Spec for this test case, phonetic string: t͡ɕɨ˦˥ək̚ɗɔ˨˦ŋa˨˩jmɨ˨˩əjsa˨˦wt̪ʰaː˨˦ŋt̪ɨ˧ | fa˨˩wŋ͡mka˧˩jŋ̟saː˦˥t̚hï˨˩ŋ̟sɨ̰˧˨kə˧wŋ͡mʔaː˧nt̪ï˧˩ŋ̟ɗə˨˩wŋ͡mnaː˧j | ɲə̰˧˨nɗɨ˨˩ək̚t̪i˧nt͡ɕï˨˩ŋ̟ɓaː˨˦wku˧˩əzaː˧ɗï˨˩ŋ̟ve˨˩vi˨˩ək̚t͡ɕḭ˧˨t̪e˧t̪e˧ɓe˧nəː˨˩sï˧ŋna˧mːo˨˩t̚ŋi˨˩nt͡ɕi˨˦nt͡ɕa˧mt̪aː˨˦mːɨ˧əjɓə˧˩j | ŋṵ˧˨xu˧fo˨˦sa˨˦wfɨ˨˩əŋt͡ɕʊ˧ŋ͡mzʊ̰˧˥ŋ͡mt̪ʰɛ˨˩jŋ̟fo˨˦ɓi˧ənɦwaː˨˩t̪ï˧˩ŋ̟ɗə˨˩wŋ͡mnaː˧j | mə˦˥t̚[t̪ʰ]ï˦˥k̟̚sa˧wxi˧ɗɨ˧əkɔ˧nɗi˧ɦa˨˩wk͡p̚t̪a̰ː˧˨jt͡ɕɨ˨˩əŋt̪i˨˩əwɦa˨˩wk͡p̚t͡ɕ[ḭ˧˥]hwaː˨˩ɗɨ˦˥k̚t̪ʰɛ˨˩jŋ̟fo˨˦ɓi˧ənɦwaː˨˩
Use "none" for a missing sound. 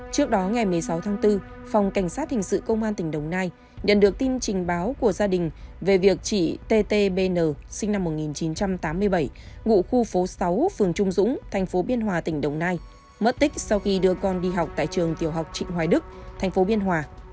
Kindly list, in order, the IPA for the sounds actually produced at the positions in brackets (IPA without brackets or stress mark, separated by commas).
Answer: t̪, ḭ˧˨